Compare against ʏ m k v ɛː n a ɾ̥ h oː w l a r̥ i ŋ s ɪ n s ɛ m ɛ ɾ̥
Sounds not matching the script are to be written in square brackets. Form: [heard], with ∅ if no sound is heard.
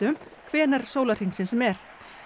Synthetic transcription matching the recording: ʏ m [kʰ] v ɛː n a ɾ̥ [s] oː w l a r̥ i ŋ s ɪ n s ɛ m ɛ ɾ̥